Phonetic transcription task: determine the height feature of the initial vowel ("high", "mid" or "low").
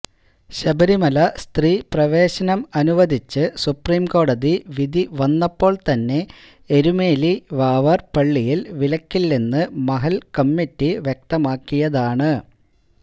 low